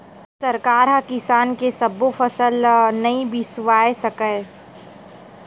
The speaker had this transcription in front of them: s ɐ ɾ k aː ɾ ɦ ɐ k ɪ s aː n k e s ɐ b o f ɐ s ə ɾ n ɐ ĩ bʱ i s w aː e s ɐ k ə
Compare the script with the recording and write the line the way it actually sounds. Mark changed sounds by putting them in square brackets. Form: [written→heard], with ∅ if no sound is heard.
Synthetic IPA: s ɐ ɾ k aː ɾ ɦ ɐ k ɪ s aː n k e s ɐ b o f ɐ s ə [ɾ→l] n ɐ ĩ bʱ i s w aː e s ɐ k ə